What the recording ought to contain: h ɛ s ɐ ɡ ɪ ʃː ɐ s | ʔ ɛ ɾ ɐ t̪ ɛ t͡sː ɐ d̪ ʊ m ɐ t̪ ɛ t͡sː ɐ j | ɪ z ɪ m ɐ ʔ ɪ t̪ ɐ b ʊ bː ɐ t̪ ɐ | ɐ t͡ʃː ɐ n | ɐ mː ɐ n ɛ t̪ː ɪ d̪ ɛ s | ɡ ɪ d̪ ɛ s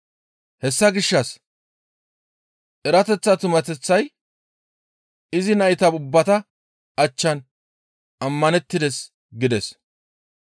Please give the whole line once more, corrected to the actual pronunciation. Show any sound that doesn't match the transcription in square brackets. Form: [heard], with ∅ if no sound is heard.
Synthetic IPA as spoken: h ɛ [sː] ɐ ɡ ɪ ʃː ɐ s | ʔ ɛ ɾ ɐ t̪ ɛ t͡sː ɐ [t̪] ʊ m ɐ t̪ ɛ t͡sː ɐ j | ɪ z ɪ [n] ɐ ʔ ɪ t̪ ɐ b ʊ bː ɐ t̪ ɐ | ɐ t͡ʃː ɐ n | ɐ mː ɐ n ɛ t̪ː ɪ d̪ ɛ s | ɡ ɪ d̪ ɛ s